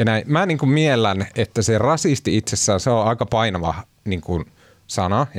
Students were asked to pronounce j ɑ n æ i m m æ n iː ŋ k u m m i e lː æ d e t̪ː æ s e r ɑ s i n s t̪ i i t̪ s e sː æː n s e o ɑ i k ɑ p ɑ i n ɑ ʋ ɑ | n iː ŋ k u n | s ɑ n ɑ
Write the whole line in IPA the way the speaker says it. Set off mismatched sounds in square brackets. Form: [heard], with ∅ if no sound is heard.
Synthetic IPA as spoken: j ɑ n æ i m m æ n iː ŋ k u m m i e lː æ [n] e t̪ː æ s e r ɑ s i [∅] s t̪ i i t̪ s e sː æː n s e o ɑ i k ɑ p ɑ i n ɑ ʋ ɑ | n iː ŋ k u n | s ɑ n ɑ